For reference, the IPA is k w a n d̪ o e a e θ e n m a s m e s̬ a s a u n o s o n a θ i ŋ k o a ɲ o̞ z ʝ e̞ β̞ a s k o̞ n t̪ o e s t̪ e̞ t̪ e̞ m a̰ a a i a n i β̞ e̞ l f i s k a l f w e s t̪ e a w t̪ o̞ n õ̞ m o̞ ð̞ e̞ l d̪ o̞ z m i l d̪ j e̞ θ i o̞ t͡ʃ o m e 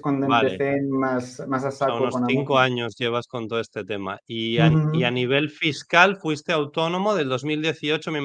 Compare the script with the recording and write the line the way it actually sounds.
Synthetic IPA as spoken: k w a n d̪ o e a e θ e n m a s m a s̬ a s a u n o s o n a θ i ŋ k o a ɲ o̞ z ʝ e̞ β̞ a s k o̞ n t̪ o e s t̪ e̞ t̪ e̞ m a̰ i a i a n i β̞ e̞ l f i s k a l f w i s t̪ e a w t̪ o̞ n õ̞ m o̞ ð̞ e̞ l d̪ o̞ z m i l d̪ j e̞ θ i o̞ t͡ʃ o m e